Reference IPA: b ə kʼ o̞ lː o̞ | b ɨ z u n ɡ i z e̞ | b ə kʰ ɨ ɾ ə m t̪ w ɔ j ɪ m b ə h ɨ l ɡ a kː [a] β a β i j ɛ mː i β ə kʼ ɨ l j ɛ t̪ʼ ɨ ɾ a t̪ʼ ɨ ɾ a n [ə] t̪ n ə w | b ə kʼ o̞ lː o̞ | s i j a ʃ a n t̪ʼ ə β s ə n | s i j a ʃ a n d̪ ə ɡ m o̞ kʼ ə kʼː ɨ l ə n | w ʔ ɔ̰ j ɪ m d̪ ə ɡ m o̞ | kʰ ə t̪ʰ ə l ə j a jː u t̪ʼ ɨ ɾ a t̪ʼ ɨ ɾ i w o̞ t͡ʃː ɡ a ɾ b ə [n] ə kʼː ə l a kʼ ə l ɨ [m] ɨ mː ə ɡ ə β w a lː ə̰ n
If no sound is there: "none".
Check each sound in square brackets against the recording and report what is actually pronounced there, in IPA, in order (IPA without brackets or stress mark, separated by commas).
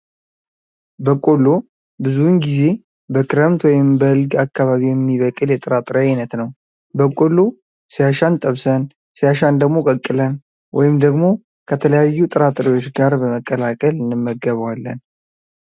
a, ə, m, n